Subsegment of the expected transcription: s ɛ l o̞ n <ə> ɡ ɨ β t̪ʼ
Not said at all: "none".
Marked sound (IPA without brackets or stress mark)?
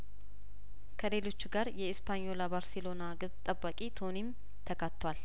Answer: a